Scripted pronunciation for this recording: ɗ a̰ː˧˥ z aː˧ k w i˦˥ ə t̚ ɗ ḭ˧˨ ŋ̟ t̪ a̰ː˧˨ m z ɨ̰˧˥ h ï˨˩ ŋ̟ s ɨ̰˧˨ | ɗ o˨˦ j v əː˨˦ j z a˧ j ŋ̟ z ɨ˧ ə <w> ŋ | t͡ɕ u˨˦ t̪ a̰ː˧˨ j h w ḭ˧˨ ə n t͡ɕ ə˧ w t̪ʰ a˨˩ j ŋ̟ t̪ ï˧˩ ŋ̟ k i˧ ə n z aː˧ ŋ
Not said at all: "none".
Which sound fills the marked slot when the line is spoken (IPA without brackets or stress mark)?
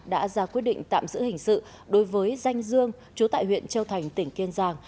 none